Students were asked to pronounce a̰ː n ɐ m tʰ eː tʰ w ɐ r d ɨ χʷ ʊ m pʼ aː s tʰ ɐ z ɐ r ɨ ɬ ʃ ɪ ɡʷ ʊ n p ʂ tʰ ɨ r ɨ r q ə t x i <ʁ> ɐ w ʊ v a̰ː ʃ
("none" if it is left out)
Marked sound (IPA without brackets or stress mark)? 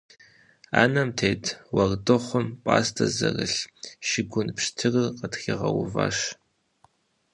ʁ